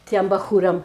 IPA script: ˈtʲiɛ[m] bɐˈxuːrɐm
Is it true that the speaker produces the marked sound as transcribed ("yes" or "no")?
yes